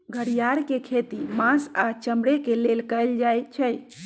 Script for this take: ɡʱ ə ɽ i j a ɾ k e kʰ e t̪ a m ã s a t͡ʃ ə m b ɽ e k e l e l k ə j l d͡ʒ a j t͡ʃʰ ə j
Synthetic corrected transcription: ɡʱ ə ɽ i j a ɾ k e kʰ e t̪ i m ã s a t͡ʃ ə m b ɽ e k e l e l k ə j l d͡ʒ a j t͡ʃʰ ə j